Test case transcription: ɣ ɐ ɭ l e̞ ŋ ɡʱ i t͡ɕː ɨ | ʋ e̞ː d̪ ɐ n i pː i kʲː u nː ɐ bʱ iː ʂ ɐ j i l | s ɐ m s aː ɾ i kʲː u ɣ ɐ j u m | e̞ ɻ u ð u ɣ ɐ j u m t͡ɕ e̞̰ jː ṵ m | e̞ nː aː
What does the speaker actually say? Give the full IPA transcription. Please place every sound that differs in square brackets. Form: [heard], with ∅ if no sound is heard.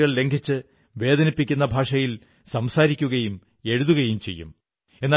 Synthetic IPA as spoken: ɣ ɐ ɭ l e̞ ŋ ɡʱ i t͡ɕː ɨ | ʋ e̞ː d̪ ɐ n i pː i kʲː u nː ɐ bʱ [aː] ʂ ɐ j i l | s ɐ m s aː ɾ i kʲː u ɣ ɐ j u m | e̞ ɻ u ð u ɣ ɐ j u m t͡ɕ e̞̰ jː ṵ m | e̞ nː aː